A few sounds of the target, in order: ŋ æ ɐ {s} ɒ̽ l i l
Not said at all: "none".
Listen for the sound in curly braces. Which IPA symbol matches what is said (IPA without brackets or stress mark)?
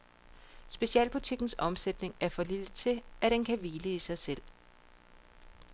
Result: f